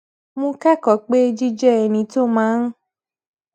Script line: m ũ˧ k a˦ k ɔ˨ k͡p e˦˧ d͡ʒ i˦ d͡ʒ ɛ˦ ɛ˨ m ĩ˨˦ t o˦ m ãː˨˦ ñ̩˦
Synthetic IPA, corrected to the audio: m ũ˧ k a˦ k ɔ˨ k͡p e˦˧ d͡ʒ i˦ d͡ʒ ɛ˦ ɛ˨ n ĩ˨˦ t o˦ m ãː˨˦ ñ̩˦